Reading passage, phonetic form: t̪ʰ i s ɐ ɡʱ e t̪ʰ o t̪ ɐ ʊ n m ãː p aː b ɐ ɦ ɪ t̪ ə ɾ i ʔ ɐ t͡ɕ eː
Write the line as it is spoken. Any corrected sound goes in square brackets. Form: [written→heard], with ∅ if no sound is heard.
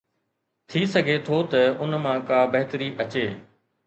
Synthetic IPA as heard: t̪ʰ i s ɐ ɡʱ e t̪ʰ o t̪ ɐ ʊ n m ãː [p→k] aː b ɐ ɦ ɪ t̪ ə ɾ i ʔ ɐ t͡ɕ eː